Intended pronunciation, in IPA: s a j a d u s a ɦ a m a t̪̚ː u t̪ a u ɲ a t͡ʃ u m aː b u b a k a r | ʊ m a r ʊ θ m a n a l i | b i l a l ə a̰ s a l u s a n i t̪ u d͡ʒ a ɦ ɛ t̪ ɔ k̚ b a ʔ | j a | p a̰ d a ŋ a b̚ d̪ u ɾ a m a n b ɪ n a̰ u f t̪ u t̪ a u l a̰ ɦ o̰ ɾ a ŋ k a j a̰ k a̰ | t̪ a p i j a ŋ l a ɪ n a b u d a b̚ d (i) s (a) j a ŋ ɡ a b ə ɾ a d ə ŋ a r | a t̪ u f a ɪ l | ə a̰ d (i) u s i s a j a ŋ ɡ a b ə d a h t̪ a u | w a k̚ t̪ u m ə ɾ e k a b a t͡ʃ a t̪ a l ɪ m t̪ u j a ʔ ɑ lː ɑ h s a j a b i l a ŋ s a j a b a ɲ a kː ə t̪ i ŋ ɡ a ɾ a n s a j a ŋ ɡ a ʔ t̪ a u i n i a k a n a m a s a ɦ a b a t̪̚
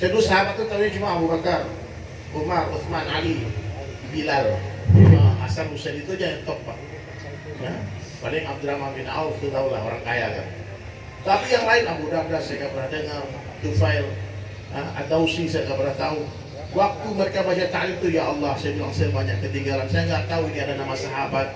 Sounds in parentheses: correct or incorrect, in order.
incorrect: a, correct, incorrect: a

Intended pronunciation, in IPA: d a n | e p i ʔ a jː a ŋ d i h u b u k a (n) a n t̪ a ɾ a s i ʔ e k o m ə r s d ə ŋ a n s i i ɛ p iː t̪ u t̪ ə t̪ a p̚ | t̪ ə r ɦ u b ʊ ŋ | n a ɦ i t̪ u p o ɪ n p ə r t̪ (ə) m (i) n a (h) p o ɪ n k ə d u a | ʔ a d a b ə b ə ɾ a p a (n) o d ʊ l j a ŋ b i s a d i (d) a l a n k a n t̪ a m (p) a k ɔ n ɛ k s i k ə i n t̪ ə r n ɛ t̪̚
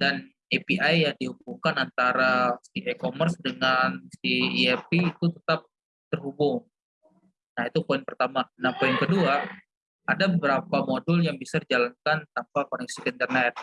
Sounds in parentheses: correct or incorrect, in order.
correct, incorrect: a, incorrect: a, correct, incorrect: m, incorrect: d͡ʒ, correct

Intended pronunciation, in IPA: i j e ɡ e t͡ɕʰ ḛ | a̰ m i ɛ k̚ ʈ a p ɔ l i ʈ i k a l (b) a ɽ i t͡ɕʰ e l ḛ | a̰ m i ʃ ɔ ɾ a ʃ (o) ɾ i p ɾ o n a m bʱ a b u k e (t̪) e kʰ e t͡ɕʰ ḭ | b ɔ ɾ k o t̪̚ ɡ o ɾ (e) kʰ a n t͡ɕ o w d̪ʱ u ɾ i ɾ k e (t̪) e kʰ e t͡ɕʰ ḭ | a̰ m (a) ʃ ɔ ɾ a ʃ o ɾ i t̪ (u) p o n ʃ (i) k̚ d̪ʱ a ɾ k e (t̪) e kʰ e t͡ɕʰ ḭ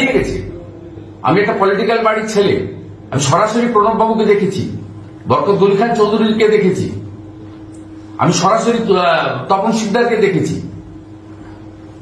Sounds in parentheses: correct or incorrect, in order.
correct, correct, incorrect: d̪, incorrect: i, incorrect: d̪, incorrect: i, incorrect: ɔ, correct, incorrect: d̪

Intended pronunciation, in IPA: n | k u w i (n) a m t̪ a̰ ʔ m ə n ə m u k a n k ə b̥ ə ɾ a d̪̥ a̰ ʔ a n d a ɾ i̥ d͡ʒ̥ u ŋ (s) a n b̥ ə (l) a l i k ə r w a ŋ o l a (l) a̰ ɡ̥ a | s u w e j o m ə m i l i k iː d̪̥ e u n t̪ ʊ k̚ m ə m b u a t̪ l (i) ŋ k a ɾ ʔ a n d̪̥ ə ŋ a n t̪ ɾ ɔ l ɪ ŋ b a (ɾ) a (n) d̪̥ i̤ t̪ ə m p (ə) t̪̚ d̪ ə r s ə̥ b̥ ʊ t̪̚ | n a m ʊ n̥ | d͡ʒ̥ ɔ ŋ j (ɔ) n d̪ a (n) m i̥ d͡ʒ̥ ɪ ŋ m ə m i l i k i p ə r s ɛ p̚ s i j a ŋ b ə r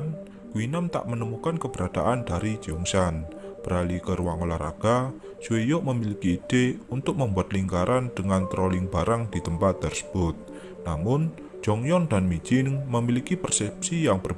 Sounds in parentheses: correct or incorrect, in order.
correct, correct, incorrect: ɾ, incorrect: ɾ, correct, correct, incorrect: ŋ, incorrect: a, correct, correct

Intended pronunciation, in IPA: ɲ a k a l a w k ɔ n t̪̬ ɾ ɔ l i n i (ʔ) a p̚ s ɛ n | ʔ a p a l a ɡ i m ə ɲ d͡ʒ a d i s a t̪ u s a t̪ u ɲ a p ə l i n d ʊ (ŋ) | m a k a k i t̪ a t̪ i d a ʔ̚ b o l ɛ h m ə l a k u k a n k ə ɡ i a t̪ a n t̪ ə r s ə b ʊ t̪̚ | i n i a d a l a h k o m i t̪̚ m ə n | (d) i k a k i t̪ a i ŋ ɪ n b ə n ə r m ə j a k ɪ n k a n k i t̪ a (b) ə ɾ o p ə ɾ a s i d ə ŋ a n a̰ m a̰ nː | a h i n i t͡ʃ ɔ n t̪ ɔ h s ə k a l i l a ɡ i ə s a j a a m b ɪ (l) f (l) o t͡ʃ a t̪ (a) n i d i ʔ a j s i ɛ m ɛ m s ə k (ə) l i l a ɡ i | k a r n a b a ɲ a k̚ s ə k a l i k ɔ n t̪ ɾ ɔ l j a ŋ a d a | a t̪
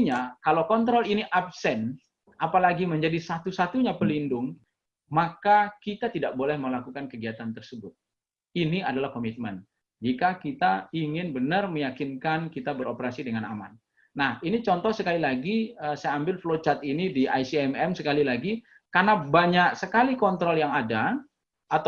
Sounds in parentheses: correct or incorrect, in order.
correct, correct, incorrect: d͡ʒ, correct, correct, correct, incorrect: i, incorrect: a

